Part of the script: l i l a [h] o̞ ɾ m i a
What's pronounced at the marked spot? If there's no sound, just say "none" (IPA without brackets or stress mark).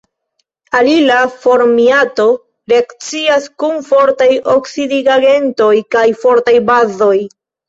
f